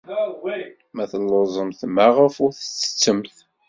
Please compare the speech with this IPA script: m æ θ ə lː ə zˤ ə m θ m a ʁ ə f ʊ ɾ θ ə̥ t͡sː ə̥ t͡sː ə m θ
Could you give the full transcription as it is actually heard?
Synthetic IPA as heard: m æ θ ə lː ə zˤ ə m θ m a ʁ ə f ʊ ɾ θ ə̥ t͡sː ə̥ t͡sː ə m θ